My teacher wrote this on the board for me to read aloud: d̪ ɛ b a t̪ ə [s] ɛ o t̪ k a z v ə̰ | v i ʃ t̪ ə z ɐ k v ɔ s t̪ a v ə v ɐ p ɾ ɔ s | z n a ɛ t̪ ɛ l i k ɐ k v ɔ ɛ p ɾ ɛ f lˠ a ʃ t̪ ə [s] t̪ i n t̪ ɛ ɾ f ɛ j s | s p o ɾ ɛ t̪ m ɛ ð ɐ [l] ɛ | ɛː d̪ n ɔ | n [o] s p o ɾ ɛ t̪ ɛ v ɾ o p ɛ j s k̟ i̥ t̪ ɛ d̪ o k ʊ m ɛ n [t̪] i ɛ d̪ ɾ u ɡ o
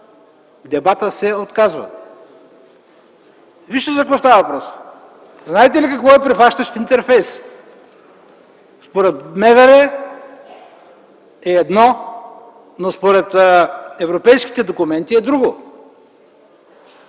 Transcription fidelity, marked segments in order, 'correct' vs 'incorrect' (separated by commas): correct, incorrect, incorrect, correct, correct